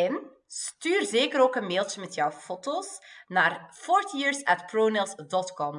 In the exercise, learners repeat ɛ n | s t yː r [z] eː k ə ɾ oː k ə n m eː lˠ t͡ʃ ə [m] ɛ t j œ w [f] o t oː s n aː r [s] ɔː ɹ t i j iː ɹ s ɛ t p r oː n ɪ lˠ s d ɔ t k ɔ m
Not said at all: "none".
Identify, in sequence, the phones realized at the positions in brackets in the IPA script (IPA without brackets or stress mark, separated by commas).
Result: z, m, f, f